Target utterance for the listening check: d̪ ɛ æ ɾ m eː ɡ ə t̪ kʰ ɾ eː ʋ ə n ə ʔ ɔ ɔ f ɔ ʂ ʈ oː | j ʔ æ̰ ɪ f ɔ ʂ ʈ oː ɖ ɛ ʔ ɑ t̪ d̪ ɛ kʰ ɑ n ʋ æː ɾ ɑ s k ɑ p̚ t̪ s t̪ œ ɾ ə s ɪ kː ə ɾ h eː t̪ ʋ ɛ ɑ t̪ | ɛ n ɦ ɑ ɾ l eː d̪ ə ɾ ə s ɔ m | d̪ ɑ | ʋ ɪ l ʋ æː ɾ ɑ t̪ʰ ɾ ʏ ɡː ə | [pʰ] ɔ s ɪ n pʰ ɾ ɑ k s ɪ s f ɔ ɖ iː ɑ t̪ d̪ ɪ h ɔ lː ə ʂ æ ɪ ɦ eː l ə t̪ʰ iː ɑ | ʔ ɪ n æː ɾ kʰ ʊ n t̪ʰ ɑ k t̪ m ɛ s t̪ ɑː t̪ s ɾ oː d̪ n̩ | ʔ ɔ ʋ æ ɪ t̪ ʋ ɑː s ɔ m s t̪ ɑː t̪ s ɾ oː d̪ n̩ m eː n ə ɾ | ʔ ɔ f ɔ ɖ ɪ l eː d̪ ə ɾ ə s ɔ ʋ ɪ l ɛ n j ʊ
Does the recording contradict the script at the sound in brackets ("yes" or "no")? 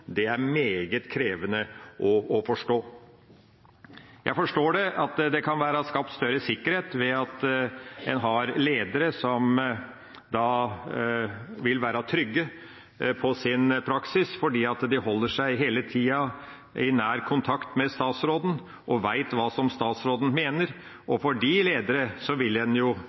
no